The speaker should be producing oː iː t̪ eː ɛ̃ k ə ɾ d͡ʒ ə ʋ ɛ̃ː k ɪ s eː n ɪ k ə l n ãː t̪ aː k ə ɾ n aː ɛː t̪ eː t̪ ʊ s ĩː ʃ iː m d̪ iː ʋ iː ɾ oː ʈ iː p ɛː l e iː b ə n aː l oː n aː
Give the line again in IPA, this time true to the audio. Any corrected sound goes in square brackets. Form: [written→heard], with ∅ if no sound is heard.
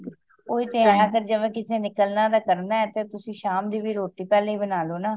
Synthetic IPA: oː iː t̪ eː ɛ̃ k ə ɾ d͡ʒ ə ʋ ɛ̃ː k ɪ s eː n ɪ k ə l n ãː [t̪→d̪] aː k ə ɾ n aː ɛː t̪ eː t̪ ʊ s ĩː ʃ [iː→aː] m d̪ iː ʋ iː ɾ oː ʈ iː p ɛː l e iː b ə n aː l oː n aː